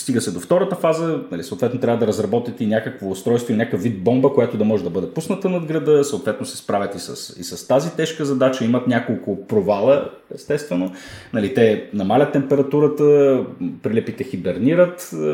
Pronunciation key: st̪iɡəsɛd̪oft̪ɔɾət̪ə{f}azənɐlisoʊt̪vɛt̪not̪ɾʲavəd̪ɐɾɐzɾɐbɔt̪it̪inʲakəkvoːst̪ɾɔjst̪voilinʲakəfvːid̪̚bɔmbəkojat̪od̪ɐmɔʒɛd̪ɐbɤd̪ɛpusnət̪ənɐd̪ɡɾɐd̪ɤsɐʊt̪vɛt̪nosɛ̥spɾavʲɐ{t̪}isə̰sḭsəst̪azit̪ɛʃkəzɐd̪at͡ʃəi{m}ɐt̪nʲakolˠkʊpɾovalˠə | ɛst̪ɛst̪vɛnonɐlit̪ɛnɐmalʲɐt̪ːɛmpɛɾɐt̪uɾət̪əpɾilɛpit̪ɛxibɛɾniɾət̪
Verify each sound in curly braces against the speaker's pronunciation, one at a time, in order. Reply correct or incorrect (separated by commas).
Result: correct, correct, correct